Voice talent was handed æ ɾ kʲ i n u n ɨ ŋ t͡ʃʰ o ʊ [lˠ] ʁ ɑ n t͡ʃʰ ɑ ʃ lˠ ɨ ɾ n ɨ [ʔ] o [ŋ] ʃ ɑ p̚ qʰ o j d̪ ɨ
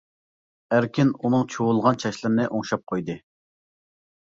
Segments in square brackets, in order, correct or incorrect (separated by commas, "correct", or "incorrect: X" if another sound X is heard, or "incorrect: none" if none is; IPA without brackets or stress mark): correct, correct, correct